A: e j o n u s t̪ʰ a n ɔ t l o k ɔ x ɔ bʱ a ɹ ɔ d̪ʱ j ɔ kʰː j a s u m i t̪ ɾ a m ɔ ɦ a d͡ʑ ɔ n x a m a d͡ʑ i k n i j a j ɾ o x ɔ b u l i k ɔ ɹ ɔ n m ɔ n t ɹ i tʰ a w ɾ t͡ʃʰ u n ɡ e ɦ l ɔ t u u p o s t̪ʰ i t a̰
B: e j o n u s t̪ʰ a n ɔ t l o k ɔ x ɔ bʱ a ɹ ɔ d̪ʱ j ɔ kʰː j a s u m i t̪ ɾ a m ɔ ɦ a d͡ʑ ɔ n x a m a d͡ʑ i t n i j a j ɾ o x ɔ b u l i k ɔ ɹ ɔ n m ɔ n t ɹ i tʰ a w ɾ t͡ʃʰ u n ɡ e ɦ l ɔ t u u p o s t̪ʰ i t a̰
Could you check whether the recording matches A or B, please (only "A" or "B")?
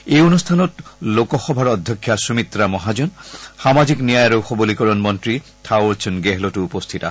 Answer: A